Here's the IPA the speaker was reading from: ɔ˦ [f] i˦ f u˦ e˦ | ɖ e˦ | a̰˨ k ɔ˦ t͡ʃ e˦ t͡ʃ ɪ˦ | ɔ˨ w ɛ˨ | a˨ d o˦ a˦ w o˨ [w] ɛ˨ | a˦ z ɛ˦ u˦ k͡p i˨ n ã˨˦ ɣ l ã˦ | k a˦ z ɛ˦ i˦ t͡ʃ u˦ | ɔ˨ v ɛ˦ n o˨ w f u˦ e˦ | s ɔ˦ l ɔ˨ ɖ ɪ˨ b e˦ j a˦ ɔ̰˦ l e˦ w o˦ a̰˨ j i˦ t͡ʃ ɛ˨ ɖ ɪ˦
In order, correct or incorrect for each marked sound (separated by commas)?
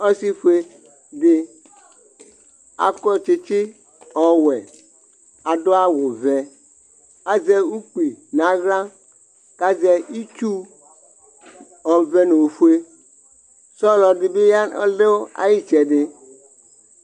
incorrect, incorrect